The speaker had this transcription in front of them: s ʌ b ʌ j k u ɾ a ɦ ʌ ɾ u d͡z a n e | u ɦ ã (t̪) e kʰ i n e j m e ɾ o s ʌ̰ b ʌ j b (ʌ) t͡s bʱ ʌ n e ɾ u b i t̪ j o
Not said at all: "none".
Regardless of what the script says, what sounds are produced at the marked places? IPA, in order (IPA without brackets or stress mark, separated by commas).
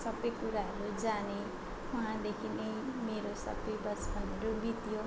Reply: d̪, ʌ